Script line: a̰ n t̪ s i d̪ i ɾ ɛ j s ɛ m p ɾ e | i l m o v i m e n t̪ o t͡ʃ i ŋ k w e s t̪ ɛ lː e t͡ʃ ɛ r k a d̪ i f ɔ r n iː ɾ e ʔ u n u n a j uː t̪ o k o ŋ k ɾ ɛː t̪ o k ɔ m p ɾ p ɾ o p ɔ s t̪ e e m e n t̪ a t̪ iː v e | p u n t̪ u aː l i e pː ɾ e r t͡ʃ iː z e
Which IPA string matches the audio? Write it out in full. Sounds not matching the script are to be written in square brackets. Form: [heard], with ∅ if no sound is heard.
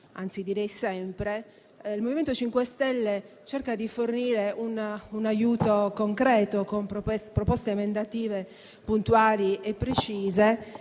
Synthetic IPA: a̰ n t̪ s i d̪ i ɾ ɛ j s ɛ m p ɾ e | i l m o v i m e n t̪ o t͡ʃ i ŋ k w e s t̪ ɛ lː e t͡ʃ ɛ r k a d̪ i f [o] r n iː ɾ e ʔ u n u n a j uː t̪ o k o ŋ k ɾ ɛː t̪ o k [o] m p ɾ p ɾ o p ɔ s t̪ e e m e n [d̪] a t̪ iː v e | p u n t̪ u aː l i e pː ɾ e [∅] t͡ʃ iː z e